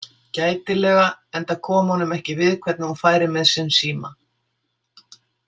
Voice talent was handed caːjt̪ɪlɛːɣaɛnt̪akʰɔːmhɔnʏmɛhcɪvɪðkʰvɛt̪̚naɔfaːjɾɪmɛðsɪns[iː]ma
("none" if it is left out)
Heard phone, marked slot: iː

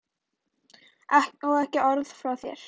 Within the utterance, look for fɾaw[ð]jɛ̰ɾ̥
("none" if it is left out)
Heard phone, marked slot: θ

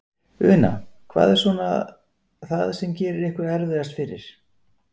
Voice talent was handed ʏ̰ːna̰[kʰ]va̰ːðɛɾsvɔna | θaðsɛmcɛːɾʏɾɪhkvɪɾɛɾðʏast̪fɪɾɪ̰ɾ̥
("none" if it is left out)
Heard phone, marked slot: kʰ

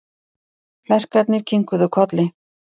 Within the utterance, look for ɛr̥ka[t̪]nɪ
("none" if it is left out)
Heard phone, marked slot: t̪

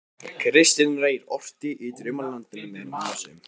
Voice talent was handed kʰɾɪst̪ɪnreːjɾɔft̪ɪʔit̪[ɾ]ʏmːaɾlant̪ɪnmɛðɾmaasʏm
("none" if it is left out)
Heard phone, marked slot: ɾ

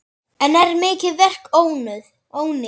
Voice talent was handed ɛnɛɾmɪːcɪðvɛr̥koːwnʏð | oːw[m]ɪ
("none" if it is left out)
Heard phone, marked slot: n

